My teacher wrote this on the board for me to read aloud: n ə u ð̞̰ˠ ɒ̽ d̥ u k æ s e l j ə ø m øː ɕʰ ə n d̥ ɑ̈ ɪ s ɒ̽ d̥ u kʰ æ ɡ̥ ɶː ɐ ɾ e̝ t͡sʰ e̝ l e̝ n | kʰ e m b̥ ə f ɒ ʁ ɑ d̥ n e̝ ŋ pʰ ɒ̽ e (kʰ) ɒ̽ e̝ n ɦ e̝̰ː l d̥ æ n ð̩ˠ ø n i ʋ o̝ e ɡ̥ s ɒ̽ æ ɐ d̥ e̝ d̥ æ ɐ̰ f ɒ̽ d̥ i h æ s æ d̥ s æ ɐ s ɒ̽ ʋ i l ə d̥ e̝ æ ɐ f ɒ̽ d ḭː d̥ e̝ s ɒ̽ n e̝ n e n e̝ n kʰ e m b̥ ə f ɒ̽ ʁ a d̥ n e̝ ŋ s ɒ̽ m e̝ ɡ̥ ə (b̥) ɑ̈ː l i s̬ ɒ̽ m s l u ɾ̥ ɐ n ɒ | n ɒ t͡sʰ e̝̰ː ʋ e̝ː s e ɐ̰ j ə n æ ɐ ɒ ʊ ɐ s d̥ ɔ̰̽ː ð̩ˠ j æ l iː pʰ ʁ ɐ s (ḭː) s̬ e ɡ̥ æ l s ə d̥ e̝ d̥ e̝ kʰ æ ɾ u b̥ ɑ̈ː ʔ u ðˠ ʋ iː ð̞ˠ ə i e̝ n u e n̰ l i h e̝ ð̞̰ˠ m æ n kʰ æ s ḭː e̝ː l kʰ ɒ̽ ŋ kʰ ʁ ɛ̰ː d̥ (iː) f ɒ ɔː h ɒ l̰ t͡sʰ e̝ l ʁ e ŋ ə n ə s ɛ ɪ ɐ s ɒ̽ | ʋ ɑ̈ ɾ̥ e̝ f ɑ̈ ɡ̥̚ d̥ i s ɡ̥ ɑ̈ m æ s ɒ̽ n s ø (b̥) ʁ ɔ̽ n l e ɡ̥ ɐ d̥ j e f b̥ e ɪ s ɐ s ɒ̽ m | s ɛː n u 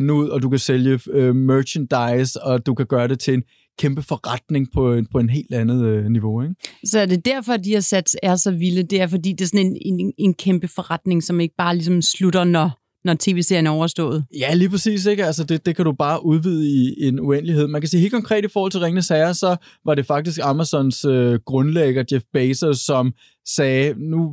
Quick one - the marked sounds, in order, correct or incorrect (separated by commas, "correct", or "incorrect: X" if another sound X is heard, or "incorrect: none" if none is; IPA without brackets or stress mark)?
incorrect: pʰ, correct, correct, incorrect: i, incorrect: ɡ̥